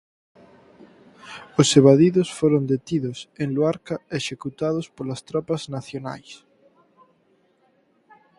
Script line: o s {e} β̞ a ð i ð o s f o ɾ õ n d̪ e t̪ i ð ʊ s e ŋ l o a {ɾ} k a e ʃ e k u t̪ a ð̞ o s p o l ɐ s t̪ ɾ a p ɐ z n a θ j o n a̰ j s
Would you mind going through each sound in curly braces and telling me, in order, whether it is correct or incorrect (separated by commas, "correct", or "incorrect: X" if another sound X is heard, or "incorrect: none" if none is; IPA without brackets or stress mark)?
correct, correct